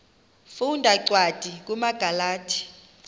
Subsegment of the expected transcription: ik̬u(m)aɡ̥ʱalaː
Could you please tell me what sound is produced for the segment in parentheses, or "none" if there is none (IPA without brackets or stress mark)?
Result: m